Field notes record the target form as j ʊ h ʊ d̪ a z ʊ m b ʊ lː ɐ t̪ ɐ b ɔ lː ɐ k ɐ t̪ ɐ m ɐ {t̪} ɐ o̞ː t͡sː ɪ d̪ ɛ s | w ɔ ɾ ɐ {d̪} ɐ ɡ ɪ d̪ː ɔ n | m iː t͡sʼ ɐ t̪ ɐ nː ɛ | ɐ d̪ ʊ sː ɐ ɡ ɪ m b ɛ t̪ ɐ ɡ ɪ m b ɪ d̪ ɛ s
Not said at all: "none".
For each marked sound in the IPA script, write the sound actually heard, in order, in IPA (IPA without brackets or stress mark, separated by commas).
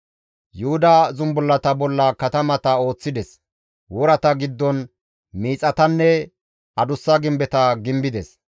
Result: t̪, t̪